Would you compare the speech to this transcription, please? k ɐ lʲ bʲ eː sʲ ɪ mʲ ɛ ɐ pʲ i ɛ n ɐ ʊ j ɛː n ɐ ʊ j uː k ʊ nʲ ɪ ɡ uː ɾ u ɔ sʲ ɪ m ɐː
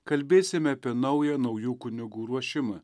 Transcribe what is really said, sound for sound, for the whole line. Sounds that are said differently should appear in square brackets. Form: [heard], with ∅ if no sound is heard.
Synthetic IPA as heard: k ɐ lʲ bʲ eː sʲ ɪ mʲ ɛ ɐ pʲ i ɛ n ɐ ʊ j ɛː n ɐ ʊ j uː k ʊ nʲ ɪ ɡ uː ɾ u ɔ [ʃʲ] ɪ m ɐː